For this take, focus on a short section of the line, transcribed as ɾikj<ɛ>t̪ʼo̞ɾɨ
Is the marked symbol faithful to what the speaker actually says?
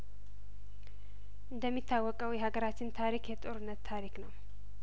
yes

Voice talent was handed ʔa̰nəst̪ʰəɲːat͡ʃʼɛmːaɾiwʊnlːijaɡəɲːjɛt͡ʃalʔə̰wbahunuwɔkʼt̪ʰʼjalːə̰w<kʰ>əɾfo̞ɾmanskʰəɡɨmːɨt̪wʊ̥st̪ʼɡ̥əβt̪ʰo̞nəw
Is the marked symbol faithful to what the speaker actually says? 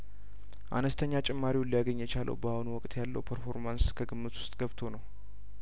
no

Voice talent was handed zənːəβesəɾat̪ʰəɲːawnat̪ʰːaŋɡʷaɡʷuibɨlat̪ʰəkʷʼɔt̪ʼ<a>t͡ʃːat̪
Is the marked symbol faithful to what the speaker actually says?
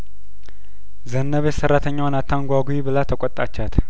yes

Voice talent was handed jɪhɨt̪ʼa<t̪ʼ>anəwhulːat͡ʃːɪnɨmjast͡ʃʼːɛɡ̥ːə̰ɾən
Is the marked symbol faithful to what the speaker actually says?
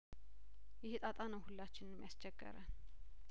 yes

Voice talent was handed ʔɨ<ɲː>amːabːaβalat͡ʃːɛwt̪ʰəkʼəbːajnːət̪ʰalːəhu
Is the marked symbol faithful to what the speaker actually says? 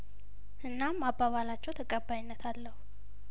no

